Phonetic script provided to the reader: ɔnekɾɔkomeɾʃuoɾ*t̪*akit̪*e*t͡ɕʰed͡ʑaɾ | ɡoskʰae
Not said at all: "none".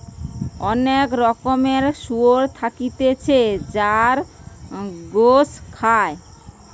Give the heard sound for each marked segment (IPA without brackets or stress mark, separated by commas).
t̪ʰ, e